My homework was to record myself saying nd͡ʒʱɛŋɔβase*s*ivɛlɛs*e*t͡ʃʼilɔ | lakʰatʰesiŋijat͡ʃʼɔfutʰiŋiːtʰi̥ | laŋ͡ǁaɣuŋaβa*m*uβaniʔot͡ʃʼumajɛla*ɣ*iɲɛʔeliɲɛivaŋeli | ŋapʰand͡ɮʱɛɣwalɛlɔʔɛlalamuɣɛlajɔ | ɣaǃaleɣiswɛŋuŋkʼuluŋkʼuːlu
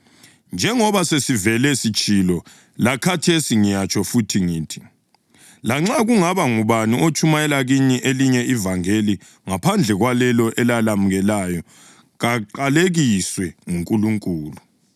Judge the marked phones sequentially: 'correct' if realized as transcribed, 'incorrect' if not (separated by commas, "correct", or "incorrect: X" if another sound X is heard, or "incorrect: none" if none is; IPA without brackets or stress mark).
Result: correct, incorrect: i, incorrect: ŋ, correct